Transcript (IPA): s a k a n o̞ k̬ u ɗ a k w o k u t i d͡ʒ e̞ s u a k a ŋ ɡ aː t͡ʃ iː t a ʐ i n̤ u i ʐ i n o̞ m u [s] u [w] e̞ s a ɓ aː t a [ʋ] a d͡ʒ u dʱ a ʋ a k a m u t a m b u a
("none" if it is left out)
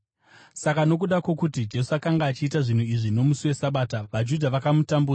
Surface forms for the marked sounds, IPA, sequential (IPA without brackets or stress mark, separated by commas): s, w, ʋ